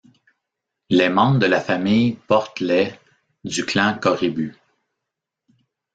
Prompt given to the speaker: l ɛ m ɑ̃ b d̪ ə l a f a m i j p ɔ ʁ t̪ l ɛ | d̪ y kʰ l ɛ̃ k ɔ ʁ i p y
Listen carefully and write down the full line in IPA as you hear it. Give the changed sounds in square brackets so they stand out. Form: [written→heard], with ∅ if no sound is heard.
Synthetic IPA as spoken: l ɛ m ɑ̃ b d̪ ə l a f a m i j p ɔ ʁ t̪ l ɛ | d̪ y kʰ l ɛ̃ k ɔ ʁ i [p→b] y